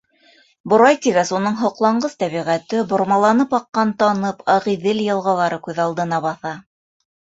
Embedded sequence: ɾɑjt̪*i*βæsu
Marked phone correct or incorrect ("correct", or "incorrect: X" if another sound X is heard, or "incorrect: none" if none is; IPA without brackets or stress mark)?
correct